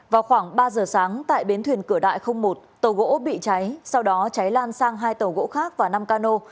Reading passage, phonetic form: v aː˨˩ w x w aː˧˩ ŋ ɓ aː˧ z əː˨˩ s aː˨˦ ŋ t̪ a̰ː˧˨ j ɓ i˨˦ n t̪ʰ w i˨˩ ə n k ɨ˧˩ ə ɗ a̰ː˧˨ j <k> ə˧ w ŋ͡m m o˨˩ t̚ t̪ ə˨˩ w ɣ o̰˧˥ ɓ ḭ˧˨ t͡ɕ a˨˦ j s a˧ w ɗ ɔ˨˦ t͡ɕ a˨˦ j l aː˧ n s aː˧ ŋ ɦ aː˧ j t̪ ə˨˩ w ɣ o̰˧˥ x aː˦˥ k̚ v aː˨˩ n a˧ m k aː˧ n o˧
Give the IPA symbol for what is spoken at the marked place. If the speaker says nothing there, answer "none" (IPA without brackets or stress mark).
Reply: x